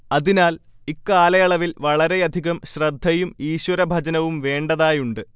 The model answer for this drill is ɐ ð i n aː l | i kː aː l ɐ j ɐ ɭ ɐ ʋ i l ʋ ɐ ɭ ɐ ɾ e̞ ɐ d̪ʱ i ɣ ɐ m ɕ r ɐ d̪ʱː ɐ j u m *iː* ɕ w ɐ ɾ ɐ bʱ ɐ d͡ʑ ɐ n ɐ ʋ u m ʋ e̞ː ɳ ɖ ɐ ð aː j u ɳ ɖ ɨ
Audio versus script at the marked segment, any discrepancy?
no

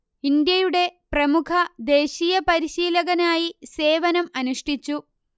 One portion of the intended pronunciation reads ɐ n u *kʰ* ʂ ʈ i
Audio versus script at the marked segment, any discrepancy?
yes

